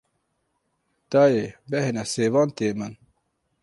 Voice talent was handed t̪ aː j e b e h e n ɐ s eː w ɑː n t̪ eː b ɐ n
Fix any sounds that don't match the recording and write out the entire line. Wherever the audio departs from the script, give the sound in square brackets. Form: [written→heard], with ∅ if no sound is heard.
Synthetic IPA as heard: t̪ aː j e b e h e n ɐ s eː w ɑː n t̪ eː [b→m] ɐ n